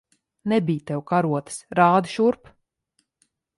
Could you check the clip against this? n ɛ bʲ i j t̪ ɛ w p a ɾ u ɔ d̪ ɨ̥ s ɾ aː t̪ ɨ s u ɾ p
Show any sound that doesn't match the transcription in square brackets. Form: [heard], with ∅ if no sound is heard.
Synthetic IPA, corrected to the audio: n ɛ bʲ i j t̪ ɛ w [k] a ɾ u ɔ [t̪] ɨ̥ s ɾ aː [d̪] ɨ [ʃ] u ɾ p